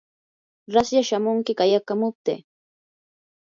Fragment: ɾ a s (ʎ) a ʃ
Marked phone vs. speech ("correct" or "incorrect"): incorrect